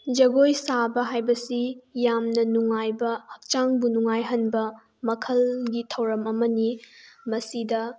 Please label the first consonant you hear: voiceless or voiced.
voiced